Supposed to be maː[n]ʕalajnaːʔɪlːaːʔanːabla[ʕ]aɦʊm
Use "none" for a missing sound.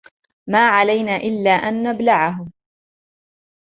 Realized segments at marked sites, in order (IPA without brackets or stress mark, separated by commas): none, ʕ